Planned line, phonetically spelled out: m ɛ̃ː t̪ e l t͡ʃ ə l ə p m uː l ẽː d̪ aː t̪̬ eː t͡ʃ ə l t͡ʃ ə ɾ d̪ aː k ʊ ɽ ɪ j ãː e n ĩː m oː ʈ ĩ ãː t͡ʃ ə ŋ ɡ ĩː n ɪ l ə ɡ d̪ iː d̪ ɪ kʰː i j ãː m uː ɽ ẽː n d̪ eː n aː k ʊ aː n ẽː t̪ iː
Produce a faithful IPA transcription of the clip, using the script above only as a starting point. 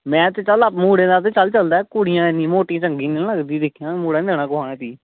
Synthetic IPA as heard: m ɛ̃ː t̪ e t͡ʃ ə l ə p m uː ɽ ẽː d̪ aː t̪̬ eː t͡ʃ ə l t͡ʃ ə l d̪ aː k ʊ ɽ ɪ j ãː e n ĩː m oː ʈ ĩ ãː t͡ʃ ə ŋ ɡ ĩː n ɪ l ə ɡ d̪ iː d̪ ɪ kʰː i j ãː m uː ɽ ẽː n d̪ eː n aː k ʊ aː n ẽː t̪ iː